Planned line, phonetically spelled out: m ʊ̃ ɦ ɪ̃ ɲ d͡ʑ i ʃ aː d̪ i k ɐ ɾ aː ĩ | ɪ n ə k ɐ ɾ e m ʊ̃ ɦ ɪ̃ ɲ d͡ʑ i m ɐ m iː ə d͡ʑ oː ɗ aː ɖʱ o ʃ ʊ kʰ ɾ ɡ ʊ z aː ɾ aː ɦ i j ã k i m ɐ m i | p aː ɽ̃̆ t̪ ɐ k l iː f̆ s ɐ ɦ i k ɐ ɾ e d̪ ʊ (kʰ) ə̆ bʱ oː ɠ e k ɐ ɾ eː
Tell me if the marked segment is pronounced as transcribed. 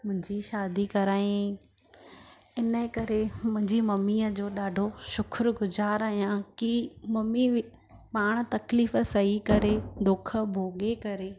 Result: yes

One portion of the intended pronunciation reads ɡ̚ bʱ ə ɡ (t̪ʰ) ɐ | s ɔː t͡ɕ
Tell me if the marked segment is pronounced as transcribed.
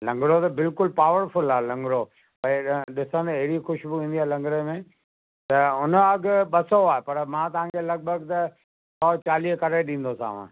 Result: no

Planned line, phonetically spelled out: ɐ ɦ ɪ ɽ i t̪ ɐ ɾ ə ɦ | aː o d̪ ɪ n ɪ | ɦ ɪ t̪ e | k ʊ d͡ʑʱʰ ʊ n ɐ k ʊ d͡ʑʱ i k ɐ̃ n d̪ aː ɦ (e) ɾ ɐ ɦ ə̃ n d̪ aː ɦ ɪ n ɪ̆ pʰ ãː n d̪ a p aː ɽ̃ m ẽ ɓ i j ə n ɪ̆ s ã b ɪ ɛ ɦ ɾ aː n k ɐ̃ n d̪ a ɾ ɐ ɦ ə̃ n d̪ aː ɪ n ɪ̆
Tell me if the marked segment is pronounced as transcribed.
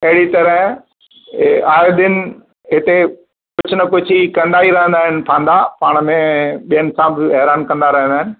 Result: no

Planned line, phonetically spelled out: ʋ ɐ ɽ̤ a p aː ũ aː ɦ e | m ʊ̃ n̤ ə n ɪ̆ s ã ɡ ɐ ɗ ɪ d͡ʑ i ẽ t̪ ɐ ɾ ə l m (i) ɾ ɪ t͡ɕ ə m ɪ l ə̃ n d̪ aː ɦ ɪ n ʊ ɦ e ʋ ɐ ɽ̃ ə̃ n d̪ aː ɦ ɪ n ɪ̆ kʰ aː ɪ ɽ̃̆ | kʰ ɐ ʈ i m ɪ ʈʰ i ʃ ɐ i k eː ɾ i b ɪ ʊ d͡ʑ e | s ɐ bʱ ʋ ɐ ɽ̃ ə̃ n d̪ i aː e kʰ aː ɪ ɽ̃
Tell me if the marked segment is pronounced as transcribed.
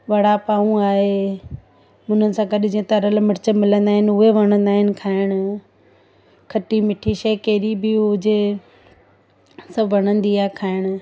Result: no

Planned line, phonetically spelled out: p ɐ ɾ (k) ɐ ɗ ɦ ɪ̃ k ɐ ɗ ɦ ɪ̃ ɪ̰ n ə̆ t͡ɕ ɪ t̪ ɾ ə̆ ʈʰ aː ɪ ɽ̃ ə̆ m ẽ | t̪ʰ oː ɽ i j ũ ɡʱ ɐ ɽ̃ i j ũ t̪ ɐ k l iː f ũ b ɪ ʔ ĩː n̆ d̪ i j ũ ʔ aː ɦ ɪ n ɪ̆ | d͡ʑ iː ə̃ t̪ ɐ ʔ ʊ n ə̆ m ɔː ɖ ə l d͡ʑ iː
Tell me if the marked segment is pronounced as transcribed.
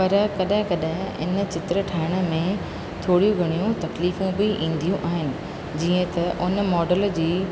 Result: yes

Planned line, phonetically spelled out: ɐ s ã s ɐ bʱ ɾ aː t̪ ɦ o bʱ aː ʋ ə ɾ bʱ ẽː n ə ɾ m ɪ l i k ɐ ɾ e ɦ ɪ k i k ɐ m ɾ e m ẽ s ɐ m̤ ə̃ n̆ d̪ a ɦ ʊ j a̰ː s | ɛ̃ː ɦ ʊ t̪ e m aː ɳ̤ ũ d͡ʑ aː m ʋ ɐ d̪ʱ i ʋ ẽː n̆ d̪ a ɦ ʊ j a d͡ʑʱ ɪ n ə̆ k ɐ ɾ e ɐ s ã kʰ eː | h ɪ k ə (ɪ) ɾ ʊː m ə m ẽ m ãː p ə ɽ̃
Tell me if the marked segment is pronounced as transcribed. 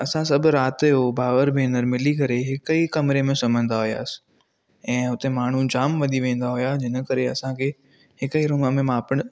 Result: no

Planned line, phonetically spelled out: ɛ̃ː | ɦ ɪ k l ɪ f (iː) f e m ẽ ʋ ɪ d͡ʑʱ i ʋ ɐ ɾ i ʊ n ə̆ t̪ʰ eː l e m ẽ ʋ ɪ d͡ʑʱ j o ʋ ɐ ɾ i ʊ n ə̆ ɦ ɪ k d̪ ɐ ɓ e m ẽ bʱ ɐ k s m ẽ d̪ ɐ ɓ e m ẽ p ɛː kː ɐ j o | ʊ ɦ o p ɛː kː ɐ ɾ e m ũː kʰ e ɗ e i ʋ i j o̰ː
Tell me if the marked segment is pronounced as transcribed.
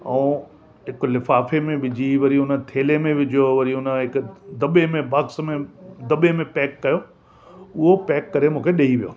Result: no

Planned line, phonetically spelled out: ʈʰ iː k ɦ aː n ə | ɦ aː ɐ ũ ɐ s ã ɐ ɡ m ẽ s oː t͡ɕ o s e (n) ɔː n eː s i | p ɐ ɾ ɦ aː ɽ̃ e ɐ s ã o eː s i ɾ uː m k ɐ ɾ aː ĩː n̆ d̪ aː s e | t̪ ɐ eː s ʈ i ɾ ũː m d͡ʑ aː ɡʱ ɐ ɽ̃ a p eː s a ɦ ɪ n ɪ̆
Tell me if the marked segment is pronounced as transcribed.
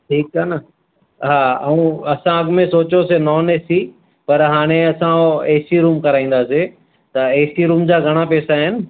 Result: yes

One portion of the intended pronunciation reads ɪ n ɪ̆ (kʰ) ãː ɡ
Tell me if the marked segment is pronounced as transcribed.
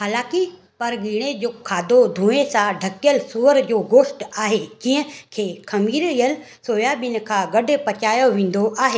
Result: yes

